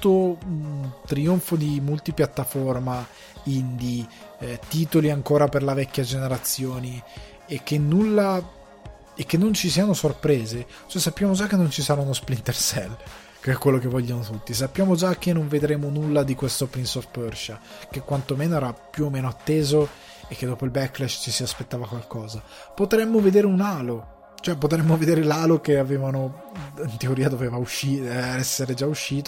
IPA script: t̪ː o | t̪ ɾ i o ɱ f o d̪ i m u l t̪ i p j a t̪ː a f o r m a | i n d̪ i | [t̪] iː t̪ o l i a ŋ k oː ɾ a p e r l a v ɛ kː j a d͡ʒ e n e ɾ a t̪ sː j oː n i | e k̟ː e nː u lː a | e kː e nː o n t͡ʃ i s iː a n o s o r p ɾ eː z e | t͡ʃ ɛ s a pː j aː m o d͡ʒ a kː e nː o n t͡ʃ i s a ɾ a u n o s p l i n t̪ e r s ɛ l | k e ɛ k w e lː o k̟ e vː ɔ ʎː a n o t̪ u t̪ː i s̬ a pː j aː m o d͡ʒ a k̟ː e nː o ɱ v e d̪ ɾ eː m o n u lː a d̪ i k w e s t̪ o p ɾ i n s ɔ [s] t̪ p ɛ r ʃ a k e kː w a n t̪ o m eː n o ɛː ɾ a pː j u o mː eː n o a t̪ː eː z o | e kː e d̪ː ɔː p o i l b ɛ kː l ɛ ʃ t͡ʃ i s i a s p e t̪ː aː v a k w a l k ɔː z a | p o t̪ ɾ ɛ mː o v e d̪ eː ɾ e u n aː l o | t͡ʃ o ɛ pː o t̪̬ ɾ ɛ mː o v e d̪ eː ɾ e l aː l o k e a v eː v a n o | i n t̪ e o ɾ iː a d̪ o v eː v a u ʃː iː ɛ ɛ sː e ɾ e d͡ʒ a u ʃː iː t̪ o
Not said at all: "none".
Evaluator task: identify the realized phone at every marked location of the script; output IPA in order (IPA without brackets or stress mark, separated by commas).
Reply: t̪, f